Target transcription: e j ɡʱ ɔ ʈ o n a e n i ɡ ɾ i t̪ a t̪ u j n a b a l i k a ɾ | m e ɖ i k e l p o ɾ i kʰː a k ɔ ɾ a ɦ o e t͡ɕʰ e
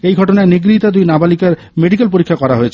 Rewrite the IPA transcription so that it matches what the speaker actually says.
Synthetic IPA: e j ɡʱ ɔ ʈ o n a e n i ɡ ɾ i t̪ a d̪ u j n a b a l i k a ɾ | m e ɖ i k e l p o ɾ i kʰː a k ɔ ɾ a ɦ o e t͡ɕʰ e